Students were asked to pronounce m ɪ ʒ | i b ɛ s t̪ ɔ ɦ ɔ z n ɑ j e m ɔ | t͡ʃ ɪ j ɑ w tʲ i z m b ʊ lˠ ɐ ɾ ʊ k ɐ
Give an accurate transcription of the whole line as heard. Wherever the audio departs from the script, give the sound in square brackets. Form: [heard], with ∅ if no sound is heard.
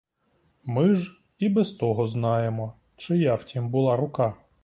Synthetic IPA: m ɪ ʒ | i b ɛ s t̪ ɔ ɦ ɔ z n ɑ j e m ɔ | t͡ʃ ɪ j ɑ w tʲ i [∅] m b ʊ lˠ [ɑ] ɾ ʊ k [ɑ]